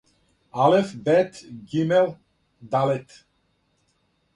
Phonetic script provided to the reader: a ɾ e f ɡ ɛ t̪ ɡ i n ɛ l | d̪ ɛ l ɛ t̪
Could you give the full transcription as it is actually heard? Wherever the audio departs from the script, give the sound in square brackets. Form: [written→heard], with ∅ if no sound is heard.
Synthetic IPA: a [ɾ→l] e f [ɡ→b] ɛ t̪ ɡ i [n→m] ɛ l | d̪ [ɛ→a] l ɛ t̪